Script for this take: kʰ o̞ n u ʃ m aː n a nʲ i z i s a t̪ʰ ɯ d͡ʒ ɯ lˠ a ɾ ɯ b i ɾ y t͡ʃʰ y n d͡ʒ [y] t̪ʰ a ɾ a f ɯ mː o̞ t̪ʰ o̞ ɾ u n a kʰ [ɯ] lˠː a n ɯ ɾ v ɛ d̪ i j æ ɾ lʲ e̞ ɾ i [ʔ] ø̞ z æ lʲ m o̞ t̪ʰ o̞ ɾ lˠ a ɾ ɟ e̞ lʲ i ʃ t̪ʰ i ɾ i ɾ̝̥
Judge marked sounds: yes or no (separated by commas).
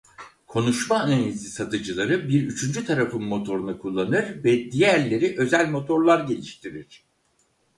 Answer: yes, no, yes